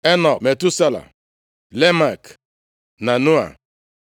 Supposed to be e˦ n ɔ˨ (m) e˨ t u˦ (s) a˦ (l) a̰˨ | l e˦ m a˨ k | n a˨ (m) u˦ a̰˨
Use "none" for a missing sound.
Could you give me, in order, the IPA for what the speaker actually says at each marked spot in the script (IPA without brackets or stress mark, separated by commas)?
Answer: m, s, l, n